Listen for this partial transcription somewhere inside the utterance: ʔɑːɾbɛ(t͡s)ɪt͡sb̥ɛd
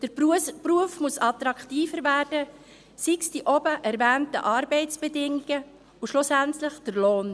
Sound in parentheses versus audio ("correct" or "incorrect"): incorrect